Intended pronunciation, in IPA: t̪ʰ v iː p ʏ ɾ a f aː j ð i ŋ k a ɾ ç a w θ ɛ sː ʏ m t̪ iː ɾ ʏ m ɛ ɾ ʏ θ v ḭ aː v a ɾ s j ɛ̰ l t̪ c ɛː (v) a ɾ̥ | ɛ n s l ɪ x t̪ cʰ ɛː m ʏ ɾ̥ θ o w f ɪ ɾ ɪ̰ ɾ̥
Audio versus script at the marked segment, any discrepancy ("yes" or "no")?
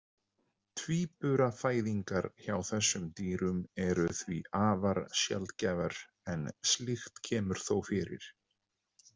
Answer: no